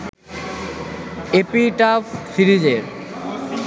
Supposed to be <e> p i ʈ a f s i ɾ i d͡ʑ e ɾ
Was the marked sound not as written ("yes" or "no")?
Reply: no